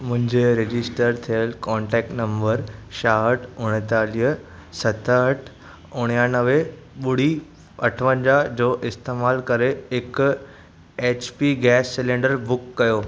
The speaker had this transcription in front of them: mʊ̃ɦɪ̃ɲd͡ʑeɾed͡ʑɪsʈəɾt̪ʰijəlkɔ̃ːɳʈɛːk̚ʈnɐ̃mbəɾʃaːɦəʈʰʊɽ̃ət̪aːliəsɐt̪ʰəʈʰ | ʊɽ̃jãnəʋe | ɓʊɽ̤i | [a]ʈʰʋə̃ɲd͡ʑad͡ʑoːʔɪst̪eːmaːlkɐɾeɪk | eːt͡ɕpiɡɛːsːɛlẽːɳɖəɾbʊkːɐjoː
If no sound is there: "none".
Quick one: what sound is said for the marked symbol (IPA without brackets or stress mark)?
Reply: ɐ